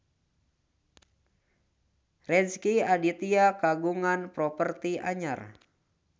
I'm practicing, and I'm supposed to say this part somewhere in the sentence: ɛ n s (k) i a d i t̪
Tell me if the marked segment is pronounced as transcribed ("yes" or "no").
yes